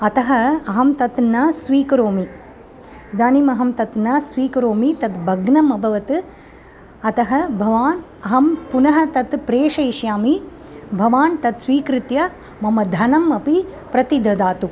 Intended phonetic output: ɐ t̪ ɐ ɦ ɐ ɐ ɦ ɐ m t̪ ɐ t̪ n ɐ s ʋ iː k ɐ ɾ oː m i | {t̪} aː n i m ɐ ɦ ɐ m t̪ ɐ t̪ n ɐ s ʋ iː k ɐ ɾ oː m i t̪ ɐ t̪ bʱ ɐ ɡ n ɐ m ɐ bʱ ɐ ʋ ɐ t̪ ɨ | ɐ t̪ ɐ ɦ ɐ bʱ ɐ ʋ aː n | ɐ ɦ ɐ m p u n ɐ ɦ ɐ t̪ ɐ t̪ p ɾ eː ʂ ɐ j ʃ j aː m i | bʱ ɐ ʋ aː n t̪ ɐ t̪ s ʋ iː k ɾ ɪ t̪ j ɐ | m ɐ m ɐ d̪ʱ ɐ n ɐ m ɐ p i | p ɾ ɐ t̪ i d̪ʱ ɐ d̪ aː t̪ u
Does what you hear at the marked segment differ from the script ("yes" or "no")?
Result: yes